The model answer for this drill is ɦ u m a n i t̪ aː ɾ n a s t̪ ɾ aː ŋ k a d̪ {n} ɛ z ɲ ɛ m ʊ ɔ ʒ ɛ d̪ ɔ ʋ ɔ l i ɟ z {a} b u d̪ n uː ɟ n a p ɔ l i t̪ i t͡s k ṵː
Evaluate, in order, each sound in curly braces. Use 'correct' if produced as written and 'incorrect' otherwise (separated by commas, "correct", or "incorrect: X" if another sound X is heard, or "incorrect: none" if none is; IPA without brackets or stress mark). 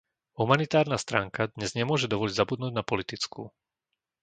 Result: incorrect: ɲ, correct